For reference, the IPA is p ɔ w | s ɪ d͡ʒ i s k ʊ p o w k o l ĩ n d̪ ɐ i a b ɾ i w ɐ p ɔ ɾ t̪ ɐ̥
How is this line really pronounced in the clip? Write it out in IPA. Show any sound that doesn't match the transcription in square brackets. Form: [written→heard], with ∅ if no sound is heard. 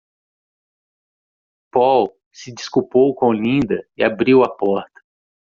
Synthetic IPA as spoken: p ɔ w | s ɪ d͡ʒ i s k [ʊ→u] p o w k [o→õ] l ĩ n d̪ ɐ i a b ɾ i w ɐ p ɔ ɾ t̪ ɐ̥

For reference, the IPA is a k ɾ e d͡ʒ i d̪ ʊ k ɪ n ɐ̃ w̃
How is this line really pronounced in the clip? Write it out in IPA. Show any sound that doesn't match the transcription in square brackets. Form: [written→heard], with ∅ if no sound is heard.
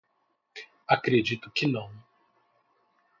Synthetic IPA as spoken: a k ɾ e d͡ʒ i [d̪→t̪] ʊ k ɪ n ɐ̃ w̃

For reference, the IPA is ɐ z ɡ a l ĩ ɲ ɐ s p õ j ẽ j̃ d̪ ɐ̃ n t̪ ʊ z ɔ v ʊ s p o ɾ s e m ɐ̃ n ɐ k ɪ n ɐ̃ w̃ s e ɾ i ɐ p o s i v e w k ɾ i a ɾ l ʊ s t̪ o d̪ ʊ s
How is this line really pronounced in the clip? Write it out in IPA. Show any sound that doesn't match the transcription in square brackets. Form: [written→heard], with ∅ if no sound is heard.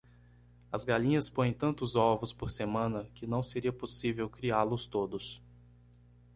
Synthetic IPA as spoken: ɐ z ɡ a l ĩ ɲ ɐ s p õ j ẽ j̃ [d̪→t̪] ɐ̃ n t̪ ʊ z ɔ v ʊ s p o ɾ s e m ɐ̃ n ɐ k ɪ n ɐ̃ w̃ s e ɾ i ɐ p o s i v e w k ɾ i a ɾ l ʊ s t̪ o d̪ ʊ s

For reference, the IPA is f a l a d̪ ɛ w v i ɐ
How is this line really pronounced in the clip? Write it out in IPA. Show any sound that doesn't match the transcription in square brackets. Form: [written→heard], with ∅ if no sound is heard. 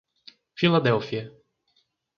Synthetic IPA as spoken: f [a→i] l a d̪ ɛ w [v→f] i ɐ

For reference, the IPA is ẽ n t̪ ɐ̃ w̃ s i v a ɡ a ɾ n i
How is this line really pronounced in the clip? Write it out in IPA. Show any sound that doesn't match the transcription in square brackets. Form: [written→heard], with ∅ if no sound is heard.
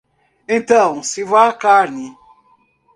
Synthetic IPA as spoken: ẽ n t̪ ɐ̃ w̃ s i v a [ɡ→k] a ɾ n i

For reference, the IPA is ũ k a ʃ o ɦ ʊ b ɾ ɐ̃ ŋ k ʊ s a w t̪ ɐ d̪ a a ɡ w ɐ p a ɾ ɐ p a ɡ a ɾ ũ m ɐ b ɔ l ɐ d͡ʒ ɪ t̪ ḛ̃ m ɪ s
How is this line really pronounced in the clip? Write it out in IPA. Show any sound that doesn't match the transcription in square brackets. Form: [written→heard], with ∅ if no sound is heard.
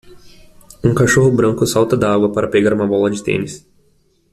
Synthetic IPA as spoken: ũ k a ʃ o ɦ ʊ b ɾ ɐ̃ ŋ k ʊ s a w t̪ ɐ d̪ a a ɡ w ɐ p a ɾ ɐ p [a→e] ɡ a ɾ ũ m ɐ b ɔ l ɐ d͡ʒ ɪ t̪ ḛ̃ [m→n] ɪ s

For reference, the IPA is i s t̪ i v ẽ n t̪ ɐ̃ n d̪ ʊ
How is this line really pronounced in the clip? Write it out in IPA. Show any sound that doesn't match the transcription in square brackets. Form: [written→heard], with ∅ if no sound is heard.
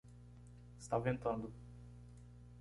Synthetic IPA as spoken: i s t̪ [i→a] v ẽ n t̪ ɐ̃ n d̪ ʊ

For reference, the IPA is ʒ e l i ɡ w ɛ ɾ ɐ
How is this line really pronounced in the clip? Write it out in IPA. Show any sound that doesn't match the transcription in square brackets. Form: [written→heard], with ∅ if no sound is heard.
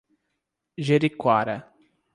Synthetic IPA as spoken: ʒ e [l→ɾ] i [ɡ→k] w [ɛ→a] ɾ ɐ

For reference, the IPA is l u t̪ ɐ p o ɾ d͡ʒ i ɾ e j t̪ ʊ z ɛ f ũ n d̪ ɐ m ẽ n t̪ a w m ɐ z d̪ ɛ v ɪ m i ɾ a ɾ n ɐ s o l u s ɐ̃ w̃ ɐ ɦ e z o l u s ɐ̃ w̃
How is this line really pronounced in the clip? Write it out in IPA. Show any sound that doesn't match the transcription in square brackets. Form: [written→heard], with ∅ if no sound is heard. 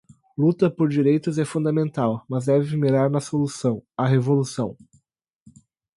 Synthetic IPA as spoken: l u t̪ ɐ p o ɾ d͡ʒ i ɾ e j t̪ ʊ z ɛ f ũ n d̪ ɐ m ẽ n t̪ a w m ɐ z d̪ ɛ v ɪ m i ɾ a ɾ n ɐ s o l u s ɐ̃ w̃ ɐ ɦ e [z→v] o l u s ɐ̃ w̃

